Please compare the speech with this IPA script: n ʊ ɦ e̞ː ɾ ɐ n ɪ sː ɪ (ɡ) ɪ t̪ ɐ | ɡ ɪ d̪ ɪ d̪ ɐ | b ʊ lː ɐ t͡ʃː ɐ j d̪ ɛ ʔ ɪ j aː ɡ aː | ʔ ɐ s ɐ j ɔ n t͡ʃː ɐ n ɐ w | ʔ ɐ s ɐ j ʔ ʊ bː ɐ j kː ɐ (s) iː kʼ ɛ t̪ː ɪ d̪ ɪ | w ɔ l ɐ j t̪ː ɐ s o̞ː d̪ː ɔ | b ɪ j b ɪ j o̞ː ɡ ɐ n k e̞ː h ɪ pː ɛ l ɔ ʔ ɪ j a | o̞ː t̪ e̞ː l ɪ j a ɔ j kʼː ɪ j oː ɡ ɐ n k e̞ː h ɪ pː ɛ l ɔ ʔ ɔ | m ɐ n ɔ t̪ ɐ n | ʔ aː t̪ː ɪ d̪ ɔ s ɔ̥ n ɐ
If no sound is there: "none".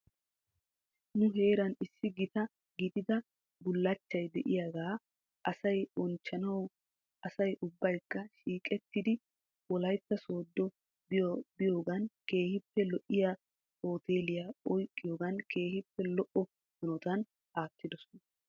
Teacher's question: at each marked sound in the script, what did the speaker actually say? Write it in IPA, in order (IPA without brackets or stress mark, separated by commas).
ɡ, ʃ